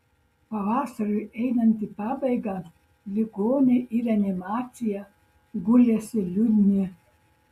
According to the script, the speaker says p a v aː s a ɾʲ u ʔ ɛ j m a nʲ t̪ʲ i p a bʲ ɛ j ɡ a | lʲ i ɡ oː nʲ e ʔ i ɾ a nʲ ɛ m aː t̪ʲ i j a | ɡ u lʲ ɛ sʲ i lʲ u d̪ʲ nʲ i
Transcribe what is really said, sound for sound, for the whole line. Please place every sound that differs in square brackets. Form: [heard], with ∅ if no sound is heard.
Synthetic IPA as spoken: p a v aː s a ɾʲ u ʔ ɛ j [n] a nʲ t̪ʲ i p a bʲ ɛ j ɡ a | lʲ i ɡ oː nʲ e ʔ i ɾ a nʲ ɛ m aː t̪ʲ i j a | ɡ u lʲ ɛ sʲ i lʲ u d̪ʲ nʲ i